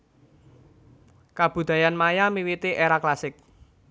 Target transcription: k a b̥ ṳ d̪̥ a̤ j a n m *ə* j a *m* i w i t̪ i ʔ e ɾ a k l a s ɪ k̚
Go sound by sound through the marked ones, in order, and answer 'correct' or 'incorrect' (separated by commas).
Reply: incorrect, correct